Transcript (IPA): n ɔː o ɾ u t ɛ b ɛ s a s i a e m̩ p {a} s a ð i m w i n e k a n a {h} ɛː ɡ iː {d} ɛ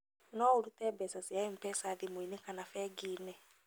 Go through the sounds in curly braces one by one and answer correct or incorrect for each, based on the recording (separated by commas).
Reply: incorrect, incorrect, incorrect